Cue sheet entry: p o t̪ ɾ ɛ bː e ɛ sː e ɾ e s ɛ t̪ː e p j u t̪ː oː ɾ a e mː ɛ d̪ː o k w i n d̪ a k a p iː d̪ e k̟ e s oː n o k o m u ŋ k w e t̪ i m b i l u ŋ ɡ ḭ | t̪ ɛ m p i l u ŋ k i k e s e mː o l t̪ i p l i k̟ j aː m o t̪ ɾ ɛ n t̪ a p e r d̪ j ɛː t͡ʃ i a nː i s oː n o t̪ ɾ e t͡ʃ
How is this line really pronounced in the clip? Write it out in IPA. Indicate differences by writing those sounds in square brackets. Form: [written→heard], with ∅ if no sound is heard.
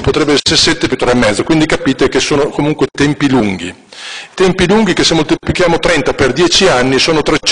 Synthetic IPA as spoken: p o t̪ ɾ ɛ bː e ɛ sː e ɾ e s ɛ t̪ː e p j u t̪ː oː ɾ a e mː ɛ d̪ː o k w i n d̪ [a→i] k a p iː [d̪→t̪] e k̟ e s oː n o k o m u ŋ k w e t̪ [i→ɛ] m [b→p] i l u ŋ ɡ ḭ | t̪ ɛ m p i l u ŋ [k→ɡ] i k e s e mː o l t̪ i p l i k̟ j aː m o t̪ ɾ ɛ n t̪ a p e r d̪ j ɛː t͡ʃ i a nː i s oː n o t̪ ɾ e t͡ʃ

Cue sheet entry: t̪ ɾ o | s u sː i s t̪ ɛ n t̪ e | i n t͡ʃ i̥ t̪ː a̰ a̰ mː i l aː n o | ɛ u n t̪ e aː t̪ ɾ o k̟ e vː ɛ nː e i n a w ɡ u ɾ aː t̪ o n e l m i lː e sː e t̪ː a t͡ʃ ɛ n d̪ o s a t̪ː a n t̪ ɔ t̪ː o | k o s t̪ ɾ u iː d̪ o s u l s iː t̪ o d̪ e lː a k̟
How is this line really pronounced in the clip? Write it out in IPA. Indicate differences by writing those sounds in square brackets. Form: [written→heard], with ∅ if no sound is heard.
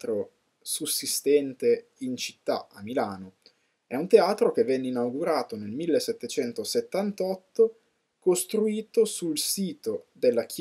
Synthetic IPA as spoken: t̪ ɾ o | s u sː i s t̪ ɛ n t̪ e | i n t͡ʃ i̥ t̪ː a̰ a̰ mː i l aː n o | ɛ u n t̪ e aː t̪ ɾ o k̟ e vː ɛ nː e i n a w ɡ u ɾ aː t̪ o n e l m i lː e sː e t̪ː [a→e] t͡ʃ ɛ n [d̪→t̪] o s [a→e] t̪ː a n t̪ ɔ t̪ː o | k o s t̪ ɾ u iː [d̪→t̪] o s u l s iː t̪ o d̪ e lː a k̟

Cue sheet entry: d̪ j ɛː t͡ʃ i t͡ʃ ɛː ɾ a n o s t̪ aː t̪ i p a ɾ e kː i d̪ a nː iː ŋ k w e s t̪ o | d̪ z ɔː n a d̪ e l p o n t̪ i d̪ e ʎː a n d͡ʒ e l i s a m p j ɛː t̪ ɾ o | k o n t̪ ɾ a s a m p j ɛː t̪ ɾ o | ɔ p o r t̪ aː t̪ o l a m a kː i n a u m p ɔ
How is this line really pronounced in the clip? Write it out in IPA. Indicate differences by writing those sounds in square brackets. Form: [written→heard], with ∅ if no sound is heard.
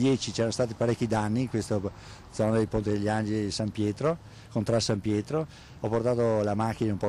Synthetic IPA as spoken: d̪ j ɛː t͡ʃ i t͡ʃ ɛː ɾ a n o s t̪ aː t̪ i p a ɾ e kː i d̪ a nː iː ŋ k w e s t̪ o | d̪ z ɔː n a d̪ e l p o n t̪ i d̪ e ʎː a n d͡ʒ e l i s a m p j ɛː t̪ ɾ o | k o n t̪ ɾ a s a m p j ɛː t̪ ɾ o | ɔ p o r t̪ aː t̪ o l a m a kː i n a u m p ɔ

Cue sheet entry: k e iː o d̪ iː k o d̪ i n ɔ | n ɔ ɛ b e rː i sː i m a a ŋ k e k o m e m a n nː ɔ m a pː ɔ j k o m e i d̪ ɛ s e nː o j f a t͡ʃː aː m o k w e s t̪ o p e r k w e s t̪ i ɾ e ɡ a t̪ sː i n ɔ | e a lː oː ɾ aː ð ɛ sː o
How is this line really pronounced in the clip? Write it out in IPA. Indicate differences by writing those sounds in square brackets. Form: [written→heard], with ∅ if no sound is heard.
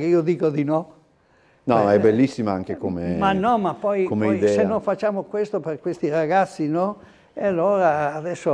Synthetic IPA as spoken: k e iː o d̪ iː k o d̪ i n ɔ | n ɔ ɛ b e [rː→lː] i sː i m a a ŋ k e k o m e m a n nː ɔ m a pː ɔ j k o m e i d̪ ɛ s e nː o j f a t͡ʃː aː m o k w e s t̪ o p e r k w e s t̪ i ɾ [e→a] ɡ a t̪ sː i n ɔ | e a lː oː ɾ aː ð ɛ sː o

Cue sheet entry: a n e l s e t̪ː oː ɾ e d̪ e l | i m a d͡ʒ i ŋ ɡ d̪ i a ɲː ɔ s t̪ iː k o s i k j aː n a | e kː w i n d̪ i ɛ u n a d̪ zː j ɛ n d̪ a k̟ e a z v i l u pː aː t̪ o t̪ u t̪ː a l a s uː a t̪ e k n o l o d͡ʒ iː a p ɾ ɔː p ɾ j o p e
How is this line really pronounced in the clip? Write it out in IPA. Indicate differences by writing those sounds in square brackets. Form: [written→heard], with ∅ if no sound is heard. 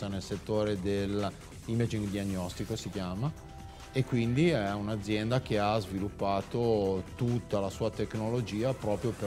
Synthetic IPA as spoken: a n e l s e t̪ː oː ɾ e d̪ e l | i m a d͡ʒ i ŋ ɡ d̪ i a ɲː ɔ s t̪ [iː→i] k o s i k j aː [n→m] a | e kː w i n d̪ i ɛ u n a d̪ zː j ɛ n d̪ a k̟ e a z v i l u pː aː t̪ o t̪ u t̪ː a l a s uː a t̪ e k n o l o d͡ʒ iː a p ɾ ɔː p ɾ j o p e

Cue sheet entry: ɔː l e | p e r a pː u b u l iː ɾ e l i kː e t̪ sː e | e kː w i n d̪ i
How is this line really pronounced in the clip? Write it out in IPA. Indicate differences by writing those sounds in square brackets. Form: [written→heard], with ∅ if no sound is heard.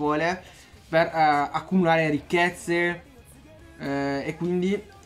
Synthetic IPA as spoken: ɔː l e | p e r a [pː→kː] u [b→m] u l [iː→aː] ɾ e [l→ɾ] i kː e t̪ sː e | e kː w i n d̪ i

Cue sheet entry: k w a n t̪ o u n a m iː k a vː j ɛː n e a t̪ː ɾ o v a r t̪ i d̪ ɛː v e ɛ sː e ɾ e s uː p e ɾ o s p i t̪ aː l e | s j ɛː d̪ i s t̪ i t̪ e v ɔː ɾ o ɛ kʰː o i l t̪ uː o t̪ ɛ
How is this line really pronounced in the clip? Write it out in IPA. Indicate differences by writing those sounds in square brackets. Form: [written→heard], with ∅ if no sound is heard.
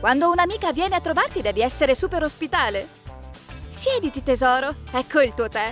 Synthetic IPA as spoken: k w a n [t̪→d̪] o u n a m iː k a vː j ɛː n e a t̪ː ɾ o v a r t̪ i d̪ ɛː v [e→i] ɛ sː e ɾ e s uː p e ɾ o s p i t̪ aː l e | s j ɛː d̪ i [s→∅] t̪ i t̪ e [v→z] ɔː ɾ o ɛ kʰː o i l t̪ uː o t̪ ɛ

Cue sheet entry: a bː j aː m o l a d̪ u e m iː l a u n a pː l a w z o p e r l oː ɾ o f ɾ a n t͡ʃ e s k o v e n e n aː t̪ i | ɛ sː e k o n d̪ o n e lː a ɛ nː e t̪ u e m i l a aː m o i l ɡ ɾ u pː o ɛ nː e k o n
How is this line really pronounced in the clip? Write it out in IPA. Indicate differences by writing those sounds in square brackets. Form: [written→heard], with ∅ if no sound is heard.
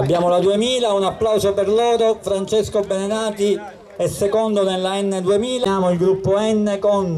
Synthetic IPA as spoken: a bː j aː m o l a d̪ u e m iː l a u n a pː l a w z o p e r l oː ɾ o f ɾ a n t͡ʃ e s k o [v→b] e n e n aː t̪ i | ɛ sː e k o n d̪ o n e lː a ɛ nː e [t̪→d̪] u e m [i→iː] l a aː m o i l ɡ ɾ u pː o ɛ nː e k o n

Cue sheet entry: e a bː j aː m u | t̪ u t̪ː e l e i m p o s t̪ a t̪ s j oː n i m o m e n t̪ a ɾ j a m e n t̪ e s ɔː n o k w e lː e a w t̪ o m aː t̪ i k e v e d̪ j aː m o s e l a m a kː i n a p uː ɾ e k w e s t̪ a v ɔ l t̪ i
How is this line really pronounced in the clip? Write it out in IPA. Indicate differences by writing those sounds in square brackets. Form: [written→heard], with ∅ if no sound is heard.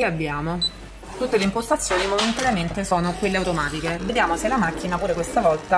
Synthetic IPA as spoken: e a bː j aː m [u→o] | t̪ u t̪ː e l e i m p o s t̪ a t̪ [s→sː] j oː n i m o m e n t̪ a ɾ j a m e n t̪ e s ɔː n o k w e lː e a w t̪ o m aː t̪ i k e v e d̪ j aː m o s e l a m a kː i n a p uː ɾ e k w e s t̪ a v ɔ l t̪ [i→a]

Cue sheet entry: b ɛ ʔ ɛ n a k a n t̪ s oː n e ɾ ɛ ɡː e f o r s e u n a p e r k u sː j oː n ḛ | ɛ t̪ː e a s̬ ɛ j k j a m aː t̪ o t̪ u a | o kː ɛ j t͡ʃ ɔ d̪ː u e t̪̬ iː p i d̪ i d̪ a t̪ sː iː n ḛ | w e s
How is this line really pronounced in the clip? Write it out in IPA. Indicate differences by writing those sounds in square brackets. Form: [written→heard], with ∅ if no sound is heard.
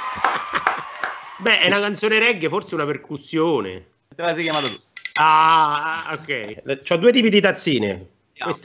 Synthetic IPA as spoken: b ɛ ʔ ɛ n a k a n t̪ s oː n e ɾ ɛ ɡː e f o r s e u n a p e r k u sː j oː n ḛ | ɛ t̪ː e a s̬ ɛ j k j a m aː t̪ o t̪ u a | o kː ɛ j t͡ʃ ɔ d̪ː u e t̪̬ iː p i d̪ i [d̪→t̪] a t̪ sː iː n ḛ | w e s

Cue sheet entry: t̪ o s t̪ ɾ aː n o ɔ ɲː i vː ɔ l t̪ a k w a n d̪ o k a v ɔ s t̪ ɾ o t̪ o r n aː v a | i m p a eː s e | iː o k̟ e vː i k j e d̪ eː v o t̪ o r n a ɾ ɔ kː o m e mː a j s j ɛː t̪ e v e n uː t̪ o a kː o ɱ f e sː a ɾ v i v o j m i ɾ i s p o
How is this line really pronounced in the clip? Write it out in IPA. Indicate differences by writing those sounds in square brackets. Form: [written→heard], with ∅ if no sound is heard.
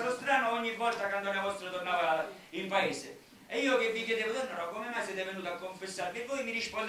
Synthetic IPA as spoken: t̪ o s t̪ ɾ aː n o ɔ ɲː i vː ɔ l t̪ a k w a n d̪ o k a v ɔ s t̪ ɾ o t̪ o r n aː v a | i m p a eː s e | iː o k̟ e vː i k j e d̪ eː v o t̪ o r n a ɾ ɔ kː o m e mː a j s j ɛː t̪ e v e n uː t̪ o a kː o ɱ f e sː a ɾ v i v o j m i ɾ i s p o

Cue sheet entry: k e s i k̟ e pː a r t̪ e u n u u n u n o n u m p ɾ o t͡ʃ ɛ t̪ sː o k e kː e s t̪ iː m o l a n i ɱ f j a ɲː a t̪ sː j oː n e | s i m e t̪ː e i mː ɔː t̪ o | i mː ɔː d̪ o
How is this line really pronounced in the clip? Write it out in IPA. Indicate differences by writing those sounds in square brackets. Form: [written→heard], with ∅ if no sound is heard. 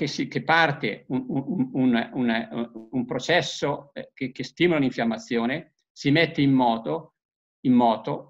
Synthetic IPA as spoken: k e s i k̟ e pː a r t̪ e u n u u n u n [o→u] n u m p ɾ o t͡ʃ ɛ [t̪→∅] sː o k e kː e s t̪ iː m o l a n i ɱ f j a [ɲː→mː] a t̪ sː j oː n e | s i m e t̪ː e i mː ɔː t̪ o | i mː ɔː [d̪→t̪] o

